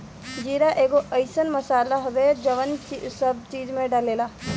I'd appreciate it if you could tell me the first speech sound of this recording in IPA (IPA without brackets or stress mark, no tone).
d͡ʒ